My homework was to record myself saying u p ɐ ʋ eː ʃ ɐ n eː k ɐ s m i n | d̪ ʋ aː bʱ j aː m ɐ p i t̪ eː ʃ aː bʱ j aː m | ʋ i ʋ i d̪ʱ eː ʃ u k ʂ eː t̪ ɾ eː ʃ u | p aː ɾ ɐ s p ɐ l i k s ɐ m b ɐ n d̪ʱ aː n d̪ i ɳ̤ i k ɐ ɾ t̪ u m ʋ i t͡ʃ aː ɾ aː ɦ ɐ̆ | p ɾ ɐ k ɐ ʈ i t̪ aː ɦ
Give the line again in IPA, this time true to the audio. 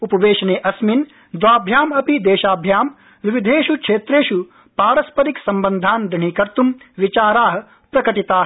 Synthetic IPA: u p ɐ ʋ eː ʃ ɐ n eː ʔ ɐ s m i n | d̪ ʋ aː bʱ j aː m ɐ p i d̪ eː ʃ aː bʱ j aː m | ʋ i ʋ i d̪ʱ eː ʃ u k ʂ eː t̪ ɾ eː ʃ u | p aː ɾ ɐ s p ɐ ɾ i k s ɐ m b ɐ n d̪ʱ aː n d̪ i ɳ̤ i k ɐ ɾ t̪ u m ʋ i t͡ʃ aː ɾ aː ɦ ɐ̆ | p ɾ ɐ k ɐ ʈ i t̪ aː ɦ